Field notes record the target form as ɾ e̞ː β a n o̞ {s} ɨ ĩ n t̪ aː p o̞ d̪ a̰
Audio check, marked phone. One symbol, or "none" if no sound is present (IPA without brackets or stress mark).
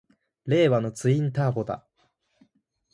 t͡s